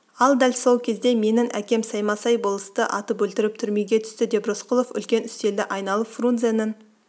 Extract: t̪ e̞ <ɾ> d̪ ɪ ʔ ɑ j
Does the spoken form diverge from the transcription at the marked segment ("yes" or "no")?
yes